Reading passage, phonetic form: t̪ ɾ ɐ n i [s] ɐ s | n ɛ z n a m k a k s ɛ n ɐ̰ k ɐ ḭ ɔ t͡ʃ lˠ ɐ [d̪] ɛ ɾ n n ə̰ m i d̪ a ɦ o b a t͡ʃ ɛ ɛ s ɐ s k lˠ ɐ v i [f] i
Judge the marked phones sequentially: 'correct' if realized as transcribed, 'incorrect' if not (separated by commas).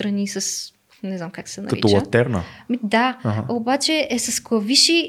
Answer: correct, incorrect, incorrect